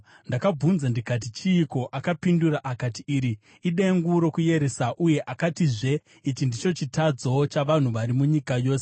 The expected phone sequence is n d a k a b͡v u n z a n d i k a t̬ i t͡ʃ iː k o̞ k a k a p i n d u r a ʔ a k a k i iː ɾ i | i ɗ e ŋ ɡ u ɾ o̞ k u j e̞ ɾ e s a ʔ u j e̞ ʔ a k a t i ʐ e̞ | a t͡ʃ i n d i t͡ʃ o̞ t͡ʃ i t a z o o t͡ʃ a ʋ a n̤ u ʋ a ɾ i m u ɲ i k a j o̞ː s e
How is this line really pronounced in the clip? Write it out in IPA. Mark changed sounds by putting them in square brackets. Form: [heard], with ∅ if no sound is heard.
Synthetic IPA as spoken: n d a k a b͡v u n z a n d i k a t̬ i t͡ʃ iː k o̞ [ʔ] a k a p i n d u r a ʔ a k a [t] i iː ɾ i | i ɗ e ŋ ɡ u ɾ o̞ k u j e̞ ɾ e s a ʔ u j e̞ ʔ a k a t i ʐ e̞ | [i] t͡ʃ i n d i t͡ʃ o̞ t͡ʃ i t a [d͡z] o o t͡ʃ a ʋ a n̤ u ʋ a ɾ i m u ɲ i k a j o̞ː s e